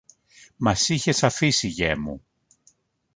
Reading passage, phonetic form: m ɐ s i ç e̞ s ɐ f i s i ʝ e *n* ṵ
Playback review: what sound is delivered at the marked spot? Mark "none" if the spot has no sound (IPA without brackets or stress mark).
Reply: m